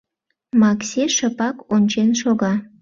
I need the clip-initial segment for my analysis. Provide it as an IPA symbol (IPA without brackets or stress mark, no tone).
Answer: m